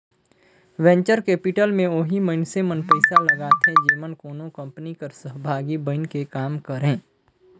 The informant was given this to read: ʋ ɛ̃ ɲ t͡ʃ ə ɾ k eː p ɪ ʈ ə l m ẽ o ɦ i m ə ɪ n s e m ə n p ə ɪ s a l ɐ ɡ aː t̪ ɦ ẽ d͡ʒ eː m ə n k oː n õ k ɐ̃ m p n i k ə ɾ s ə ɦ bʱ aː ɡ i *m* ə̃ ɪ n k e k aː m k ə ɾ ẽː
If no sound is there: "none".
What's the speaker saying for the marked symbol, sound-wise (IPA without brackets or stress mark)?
b